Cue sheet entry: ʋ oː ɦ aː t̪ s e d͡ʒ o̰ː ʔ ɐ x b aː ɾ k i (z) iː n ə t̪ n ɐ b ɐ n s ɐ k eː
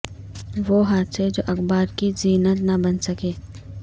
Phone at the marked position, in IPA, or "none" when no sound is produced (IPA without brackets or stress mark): z